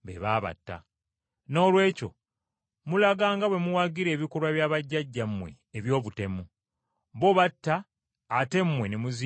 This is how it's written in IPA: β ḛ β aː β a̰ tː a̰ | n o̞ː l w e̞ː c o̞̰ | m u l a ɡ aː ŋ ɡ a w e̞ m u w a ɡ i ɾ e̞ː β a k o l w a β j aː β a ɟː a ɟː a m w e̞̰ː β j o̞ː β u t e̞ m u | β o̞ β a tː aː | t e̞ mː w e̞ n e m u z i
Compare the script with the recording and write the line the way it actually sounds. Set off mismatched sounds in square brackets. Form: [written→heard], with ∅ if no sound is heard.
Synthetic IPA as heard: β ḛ β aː β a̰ tː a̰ | n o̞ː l w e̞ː c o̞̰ | m u l a ɡ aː ŋ ɡ a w e̞ m u w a ɡ i ɾ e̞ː β [a→i] k o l w a β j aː β a ɟː a ɟː a m w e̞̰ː β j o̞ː β u t e̞ m u | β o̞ β a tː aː | t e̞ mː w e̞ n e m u z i